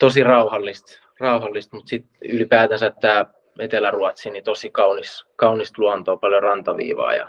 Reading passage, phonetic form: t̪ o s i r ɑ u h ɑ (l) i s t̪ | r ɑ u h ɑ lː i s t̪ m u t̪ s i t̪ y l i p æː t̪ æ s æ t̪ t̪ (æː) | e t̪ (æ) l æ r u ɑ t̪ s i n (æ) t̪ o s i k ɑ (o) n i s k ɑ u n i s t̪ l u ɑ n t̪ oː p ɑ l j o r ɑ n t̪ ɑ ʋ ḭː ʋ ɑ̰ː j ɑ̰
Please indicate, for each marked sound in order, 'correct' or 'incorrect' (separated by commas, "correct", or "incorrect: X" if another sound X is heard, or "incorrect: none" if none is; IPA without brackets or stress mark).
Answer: incorrect: lː, correct, incorrect: e, incorrect: i, incorrect: u